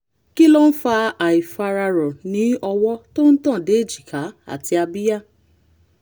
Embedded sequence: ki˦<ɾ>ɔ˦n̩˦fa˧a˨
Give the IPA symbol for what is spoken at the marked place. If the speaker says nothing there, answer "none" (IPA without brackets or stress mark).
l